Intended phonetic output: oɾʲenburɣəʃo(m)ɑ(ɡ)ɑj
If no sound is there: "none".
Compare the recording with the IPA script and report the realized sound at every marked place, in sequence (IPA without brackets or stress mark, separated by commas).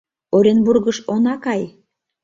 n, k